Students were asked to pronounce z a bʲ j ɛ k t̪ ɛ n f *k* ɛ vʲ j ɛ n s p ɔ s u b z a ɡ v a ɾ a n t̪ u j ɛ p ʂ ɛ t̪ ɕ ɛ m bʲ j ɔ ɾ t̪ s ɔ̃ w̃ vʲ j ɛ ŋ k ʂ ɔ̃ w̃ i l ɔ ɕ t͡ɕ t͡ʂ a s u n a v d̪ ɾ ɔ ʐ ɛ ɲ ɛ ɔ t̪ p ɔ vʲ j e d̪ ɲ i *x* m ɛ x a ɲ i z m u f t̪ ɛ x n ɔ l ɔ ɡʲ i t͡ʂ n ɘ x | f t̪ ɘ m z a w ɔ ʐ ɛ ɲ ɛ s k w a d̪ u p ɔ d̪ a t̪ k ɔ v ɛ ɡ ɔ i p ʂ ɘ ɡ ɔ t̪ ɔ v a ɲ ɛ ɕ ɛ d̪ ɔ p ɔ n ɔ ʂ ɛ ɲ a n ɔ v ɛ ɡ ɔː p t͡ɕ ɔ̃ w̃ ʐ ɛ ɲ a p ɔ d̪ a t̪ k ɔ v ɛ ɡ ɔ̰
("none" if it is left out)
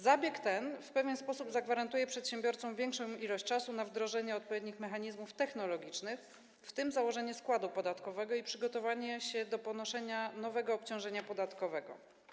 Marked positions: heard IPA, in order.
p, x

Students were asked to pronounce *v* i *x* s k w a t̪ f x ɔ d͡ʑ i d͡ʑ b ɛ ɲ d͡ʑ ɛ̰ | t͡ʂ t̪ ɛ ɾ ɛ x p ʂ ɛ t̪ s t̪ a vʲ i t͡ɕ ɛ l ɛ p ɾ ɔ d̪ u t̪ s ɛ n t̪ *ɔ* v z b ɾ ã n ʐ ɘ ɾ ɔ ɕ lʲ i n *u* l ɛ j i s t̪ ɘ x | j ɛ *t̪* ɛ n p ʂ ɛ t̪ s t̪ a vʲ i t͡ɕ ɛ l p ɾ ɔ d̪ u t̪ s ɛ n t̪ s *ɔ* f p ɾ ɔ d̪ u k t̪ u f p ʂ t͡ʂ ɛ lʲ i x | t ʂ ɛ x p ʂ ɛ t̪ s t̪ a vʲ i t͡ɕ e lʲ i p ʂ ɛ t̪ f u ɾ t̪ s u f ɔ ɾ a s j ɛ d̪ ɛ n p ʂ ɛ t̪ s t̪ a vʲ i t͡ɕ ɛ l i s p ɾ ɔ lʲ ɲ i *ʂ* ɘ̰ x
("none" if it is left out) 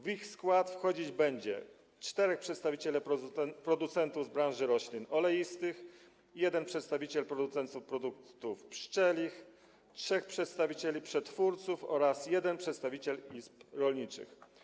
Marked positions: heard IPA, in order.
v, x, u, ɔ, d̪, u, t͡ʂ

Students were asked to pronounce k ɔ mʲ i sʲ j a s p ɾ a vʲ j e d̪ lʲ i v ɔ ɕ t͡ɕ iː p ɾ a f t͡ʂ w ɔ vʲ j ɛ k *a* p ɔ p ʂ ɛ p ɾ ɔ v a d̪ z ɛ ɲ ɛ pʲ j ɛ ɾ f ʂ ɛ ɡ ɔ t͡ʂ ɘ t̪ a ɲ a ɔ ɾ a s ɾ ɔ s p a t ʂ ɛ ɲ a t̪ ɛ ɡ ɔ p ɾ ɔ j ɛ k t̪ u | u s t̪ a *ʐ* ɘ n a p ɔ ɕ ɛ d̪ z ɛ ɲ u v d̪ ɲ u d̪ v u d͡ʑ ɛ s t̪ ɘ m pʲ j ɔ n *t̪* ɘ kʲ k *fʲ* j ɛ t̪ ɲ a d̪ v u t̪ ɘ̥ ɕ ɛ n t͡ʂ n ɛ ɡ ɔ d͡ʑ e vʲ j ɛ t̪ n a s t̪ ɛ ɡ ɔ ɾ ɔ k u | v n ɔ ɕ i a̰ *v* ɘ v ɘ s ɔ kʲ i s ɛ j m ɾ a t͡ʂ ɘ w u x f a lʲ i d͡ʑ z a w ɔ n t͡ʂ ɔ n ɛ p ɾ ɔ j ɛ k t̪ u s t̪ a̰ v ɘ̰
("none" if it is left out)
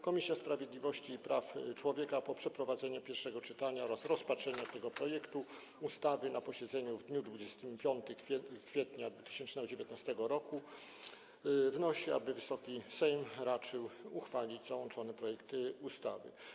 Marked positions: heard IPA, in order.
a, v, t̪, fʲ, b

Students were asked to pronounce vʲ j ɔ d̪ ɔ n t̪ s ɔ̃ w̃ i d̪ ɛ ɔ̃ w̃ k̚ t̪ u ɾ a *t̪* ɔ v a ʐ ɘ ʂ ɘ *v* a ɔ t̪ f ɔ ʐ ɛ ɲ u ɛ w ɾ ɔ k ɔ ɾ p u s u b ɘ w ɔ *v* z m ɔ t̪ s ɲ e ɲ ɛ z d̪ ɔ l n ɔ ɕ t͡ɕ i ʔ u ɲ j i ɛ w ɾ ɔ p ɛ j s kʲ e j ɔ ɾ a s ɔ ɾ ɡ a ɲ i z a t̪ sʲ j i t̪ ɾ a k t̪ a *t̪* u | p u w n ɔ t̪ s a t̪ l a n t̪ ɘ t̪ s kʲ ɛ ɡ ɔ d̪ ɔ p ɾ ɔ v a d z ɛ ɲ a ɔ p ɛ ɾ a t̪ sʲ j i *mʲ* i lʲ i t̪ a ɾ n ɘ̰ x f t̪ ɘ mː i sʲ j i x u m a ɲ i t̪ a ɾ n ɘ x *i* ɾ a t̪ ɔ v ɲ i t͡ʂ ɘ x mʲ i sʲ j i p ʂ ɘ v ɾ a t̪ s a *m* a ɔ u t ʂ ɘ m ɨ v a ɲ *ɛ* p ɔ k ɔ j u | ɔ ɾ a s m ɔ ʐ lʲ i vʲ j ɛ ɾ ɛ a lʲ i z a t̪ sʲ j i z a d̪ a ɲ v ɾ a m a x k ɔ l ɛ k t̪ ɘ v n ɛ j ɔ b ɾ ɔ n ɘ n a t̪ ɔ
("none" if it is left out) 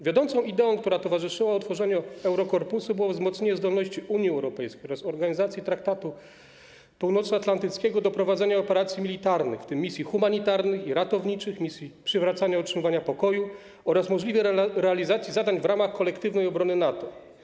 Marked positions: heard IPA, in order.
t̪, w, v, t̪, mʲ, i, ɲ, a

